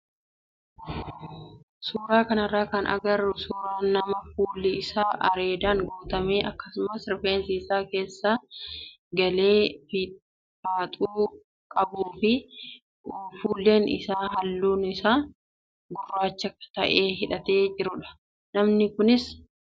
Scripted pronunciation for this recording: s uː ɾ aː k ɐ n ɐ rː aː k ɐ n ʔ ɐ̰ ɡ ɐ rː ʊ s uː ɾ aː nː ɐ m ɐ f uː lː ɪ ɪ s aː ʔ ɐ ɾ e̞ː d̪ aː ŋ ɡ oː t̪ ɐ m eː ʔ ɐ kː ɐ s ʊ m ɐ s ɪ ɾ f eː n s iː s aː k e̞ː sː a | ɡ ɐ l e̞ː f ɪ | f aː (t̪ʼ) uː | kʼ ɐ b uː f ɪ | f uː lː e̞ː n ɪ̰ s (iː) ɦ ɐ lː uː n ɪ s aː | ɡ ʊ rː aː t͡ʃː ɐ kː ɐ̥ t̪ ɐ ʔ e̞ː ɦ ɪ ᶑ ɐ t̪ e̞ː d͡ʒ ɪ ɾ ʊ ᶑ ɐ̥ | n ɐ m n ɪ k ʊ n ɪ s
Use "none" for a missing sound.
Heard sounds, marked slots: t̪ʼ, aː

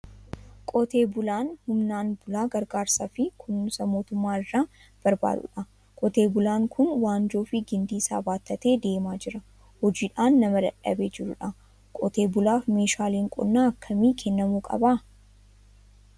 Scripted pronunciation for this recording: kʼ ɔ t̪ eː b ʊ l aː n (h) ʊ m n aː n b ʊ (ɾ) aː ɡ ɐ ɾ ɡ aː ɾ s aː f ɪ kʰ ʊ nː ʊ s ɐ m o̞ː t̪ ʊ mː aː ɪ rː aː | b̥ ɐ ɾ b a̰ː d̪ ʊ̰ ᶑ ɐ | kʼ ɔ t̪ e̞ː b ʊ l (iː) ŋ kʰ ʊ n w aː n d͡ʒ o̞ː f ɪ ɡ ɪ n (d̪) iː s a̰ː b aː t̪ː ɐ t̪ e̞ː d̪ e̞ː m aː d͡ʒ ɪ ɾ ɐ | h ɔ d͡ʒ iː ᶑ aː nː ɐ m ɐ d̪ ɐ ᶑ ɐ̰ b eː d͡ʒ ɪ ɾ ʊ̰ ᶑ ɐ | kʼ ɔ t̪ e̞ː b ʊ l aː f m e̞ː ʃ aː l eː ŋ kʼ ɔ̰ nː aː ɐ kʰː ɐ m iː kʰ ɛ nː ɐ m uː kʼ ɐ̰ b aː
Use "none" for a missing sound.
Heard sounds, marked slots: h, l, aː, d̪

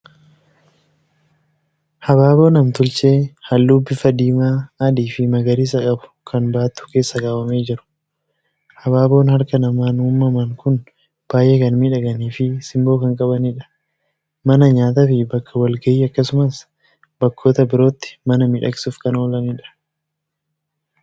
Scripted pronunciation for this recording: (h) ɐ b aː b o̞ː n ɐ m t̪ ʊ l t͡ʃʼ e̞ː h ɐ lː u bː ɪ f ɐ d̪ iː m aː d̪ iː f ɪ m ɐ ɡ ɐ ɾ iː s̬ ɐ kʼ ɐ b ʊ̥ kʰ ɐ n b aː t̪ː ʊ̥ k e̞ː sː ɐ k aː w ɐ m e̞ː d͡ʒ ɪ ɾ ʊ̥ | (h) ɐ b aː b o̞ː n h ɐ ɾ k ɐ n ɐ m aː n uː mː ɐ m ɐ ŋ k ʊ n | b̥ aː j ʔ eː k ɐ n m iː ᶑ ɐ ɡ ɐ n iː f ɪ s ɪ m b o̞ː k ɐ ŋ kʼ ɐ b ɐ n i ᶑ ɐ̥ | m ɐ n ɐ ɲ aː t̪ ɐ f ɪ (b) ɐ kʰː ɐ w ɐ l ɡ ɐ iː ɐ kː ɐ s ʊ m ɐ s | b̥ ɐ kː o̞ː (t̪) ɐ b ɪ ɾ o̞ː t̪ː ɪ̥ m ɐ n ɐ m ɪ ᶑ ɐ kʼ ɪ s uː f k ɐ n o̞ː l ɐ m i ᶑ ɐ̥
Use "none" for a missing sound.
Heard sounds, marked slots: h, h, b, t̪

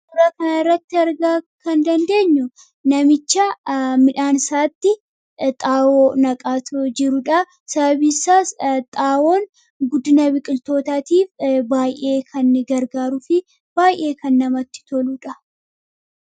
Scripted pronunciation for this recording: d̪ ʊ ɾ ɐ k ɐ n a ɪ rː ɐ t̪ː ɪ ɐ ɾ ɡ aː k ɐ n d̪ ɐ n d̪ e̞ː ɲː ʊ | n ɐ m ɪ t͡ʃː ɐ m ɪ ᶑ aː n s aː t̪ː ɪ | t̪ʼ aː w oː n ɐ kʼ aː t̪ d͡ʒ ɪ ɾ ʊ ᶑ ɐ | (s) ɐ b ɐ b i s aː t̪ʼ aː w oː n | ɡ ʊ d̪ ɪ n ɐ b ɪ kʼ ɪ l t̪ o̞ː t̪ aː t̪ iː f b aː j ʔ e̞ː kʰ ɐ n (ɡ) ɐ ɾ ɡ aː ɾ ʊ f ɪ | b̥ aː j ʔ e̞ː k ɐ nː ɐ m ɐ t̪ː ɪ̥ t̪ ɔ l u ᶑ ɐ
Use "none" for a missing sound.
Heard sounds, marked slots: s, ɡ

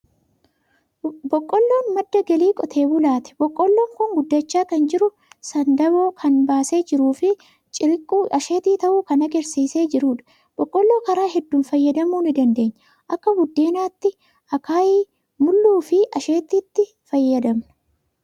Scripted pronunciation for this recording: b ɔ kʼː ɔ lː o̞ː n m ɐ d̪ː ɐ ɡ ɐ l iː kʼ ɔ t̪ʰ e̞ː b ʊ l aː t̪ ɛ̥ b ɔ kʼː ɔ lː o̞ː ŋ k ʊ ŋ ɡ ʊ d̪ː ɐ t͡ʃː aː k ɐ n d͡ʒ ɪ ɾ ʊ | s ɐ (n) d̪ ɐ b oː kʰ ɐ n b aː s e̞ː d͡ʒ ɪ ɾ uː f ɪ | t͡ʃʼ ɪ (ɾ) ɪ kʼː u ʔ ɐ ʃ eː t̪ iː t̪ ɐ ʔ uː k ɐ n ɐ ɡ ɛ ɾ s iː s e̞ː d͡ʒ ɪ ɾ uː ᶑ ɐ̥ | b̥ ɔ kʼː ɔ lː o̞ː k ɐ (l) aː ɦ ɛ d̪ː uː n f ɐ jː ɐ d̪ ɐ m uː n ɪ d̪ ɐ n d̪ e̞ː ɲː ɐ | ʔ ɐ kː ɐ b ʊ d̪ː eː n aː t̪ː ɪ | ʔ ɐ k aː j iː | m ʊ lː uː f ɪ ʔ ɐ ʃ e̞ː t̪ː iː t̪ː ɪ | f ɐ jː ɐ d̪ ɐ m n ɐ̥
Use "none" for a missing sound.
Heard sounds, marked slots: n, ɾ, ɾ

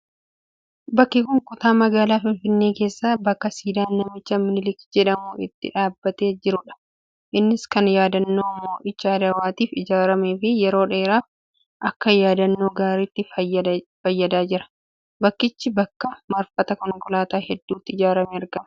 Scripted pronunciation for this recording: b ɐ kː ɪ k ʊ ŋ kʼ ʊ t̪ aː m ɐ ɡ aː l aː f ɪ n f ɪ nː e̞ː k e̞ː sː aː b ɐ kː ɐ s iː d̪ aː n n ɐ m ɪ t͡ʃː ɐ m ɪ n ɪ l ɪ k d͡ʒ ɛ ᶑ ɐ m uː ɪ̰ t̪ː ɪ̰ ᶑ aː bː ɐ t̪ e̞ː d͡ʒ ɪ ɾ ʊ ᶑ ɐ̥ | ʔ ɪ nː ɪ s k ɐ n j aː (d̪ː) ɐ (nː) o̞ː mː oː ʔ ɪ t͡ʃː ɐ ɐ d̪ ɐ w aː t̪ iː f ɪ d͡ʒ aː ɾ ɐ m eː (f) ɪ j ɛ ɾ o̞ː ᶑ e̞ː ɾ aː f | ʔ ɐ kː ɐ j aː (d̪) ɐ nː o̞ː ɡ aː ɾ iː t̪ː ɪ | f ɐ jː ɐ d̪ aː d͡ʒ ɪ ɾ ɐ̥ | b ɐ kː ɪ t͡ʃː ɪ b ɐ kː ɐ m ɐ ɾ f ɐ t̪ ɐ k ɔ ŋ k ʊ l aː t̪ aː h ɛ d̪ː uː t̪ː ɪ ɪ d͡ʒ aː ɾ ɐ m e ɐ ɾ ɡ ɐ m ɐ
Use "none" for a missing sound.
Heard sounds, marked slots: d̪, nː, f, d̪

